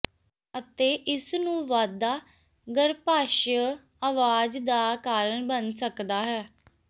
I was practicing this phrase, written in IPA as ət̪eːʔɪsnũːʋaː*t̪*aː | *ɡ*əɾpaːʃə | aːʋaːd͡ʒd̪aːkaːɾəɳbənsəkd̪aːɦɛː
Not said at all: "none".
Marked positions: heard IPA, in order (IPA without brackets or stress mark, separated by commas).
d̪, ɡ